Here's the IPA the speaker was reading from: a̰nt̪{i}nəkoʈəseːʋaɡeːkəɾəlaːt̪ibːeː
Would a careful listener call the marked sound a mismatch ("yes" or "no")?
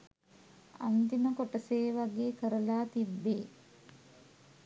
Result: no